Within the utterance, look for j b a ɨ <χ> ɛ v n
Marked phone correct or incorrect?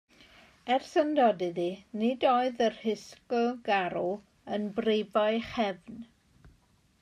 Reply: correct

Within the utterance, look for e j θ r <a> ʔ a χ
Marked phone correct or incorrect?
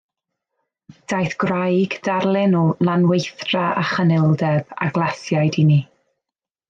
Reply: correct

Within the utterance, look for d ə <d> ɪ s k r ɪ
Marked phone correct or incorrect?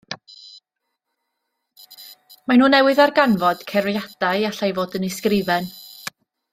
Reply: incorrect: n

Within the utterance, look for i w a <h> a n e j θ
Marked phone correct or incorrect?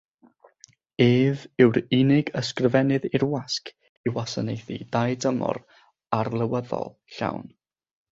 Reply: incorrect: s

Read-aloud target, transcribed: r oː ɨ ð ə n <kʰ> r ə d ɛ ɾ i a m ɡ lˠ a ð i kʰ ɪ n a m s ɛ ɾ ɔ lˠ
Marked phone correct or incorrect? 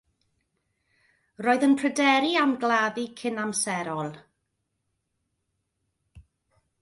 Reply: incorrect: pʰ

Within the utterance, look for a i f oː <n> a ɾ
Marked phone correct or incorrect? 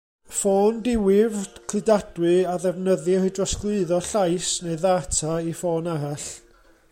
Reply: correct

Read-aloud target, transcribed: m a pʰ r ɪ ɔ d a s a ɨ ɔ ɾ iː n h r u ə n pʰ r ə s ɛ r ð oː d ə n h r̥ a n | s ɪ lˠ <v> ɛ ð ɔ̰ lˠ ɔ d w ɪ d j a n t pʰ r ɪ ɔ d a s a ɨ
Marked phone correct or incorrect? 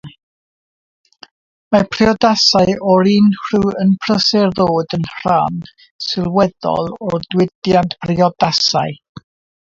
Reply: incorrect: w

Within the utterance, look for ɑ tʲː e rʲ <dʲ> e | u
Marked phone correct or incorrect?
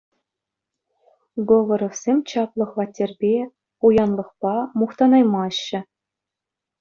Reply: incorrect: bʲ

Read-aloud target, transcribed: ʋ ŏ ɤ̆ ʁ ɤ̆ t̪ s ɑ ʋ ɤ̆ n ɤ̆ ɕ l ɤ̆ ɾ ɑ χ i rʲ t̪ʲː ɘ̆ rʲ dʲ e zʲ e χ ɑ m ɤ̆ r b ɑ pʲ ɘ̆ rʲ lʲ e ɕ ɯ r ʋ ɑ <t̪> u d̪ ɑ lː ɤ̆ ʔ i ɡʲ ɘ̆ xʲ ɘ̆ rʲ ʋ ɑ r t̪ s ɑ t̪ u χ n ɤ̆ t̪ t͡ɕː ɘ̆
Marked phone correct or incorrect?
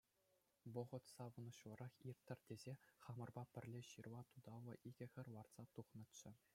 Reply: correct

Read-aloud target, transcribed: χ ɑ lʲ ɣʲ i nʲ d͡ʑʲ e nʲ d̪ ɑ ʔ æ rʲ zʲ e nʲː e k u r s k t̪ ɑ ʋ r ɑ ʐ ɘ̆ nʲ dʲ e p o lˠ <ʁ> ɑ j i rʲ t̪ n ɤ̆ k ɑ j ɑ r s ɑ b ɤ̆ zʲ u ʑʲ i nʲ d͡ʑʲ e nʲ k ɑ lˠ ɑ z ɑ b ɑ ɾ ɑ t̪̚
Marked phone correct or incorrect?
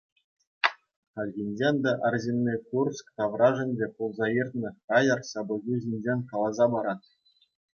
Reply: incorrect: z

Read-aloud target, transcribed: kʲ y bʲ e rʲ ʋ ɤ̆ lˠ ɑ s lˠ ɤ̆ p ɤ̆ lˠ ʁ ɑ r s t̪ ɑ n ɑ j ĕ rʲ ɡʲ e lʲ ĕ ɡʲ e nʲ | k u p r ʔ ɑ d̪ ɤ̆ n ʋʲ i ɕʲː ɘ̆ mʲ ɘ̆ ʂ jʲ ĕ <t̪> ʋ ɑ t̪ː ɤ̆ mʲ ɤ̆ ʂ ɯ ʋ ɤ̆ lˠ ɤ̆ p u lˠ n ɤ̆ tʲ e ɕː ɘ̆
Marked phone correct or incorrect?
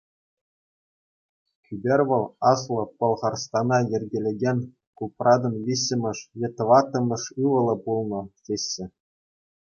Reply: correct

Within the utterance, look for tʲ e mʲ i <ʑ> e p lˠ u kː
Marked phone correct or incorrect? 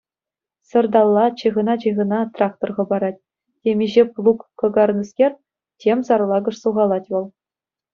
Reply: correct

